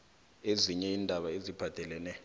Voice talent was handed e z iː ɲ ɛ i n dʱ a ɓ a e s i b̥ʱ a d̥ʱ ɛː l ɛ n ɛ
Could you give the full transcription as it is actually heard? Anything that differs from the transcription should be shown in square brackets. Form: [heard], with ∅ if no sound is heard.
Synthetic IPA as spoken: e z [i] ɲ ɛ i n dʱ a ɓ a e [z] i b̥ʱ a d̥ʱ [ɛ] l ɛ n ɛ